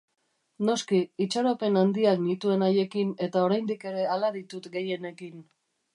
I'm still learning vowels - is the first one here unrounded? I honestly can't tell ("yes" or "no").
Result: no